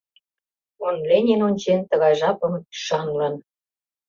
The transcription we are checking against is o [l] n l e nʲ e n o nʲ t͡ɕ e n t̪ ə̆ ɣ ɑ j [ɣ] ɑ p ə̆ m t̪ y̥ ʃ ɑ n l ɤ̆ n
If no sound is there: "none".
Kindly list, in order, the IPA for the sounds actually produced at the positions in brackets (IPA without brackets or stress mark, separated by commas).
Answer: none, ʒ